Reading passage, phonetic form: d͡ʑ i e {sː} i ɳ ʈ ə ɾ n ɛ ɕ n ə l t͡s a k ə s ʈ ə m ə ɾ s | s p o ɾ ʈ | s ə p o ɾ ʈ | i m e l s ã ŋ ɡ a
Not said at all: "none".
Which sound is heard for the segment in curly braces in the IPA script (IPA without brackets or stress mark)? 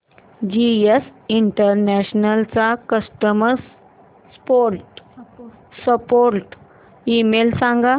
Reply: s